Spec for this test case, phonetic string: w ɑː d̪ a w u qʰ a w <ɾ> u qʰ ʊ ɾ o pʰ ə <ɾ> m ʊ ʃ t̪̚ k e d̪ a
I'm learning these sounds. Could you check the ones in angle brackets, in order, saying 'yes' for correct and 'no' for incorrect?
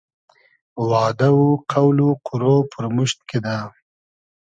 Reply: no, yes

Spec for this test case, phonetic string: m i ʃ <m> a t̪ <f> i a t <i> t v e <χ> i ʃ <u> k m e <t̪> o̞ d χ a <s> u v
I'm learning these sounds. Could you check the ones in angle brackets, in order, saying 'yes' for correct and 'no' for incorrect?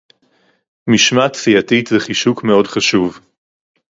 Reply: yes, yes, yes, yes, yes, no, no

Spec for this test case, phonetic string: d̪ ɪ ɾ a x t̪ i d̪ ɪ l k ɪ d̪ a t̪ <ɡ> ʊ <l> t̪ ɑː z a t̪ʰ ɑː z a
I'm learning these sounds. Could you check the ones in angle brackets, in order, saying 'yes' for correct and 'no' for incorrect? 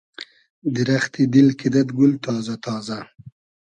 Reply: yes, yes

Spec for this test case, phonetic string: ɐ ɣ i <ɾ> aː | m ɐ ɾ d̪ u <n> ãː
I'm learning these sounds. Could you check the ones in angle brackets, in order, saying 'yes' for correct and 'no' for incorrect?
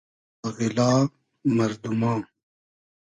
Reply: no, no

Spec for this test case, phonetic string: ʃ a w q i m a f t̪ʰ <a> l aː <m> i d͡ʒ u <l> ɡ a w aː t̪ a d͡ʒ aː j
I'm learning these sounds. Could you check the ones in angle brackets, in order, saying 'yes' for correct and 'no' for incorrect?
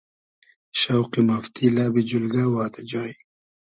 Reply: no, no, yes

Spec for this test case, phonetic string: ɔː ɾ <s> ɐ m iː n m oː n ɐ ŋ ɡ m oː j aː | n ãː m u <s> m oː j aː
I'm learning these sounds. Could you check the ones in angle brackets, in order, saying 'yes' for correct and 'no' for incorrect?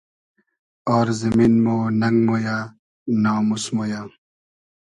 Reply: no, yes

